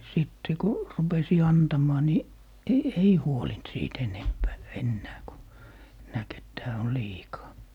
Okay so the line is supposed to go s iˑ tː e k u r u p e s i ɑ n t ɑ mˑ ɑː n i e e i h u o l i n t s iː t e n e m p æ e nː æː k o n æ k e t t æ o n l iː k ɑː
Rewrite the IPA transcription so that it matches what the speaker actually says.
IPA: s iˑ tː e k u r u p e s i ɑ n t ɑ mˑ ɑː n i e e i h u o l i n t s iː t e n e m p æː e nː æː k u n æ k e t t æː o n l iː k ɑː